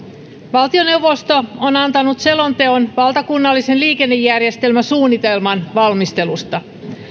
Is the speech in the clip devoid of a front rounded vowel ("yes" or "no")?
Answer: yes